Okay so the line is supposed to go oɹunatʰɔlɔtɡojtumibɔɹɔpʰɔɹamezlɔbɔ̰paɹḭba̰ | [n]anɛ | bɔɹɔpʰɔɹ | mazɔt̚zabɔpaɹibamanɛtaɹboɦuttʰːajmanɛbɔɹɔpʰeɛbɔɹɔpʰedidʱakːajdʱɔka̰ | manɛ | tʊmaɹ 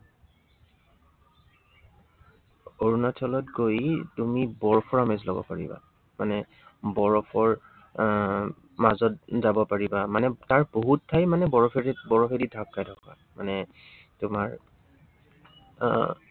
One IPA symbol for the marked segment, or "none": m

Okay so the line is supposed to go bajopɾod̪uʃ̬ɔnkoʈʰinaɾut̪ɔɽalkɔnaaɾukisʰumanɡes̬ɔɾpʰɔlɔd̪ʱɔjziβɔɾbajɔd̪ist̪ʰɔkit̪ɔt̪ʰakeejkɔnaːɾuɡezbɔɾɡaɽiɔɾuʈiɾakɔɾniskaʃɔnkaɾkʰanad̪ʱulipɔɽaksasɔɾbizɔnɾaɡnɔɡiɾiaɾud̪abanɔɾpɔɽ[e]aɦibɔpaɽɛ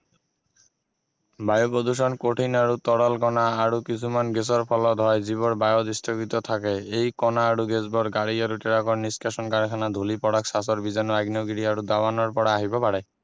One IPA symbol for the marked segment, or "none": a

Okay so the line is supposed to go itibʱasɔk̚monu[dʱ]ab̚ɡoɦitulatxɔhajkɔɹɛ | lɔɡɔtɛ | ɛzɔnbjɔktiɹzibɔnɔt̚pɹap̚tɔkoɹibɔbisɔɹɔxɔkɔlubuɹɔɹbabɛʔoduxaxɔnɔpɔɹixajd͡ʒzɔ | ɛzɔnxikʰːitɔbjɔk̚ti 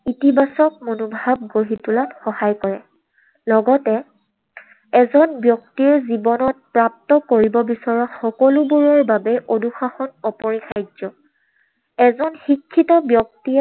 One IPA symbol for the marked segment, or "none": bʱ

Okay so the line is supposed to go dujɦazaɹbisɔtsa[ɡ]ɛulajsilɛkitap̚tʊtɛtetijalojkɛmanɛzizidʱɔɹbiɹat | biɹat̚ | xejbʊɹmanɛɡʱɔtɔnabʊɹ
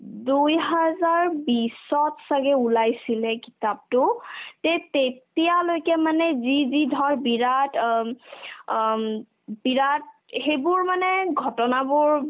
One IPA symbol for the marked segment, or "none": ɡ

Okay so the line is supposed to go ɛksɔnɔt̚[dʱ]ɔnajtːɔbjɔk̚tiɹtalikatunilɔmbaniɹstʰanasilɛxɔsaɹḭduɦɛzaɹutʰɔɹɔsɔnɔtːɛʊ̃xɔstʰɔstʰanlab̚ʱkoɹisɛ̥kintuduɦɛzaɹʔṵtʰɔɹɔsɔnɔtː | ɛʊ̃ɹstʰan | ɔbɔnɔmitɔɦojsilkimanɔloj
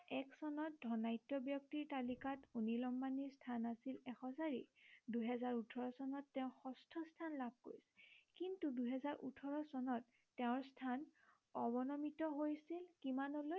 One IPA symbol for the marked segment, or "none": dʱ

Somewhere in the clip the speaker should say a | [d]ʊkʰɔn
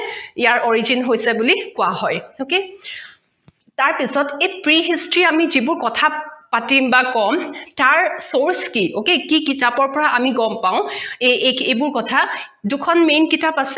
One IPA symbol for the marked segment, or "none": d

